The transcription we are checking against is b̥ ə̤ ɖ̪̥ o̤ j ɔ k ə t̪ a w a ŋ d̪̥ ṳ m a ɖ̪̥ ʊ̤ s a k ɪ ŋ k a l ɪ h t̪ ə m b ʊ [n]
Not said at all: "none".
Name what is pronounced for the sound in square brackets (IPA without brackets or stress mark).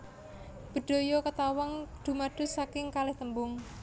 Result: ŋ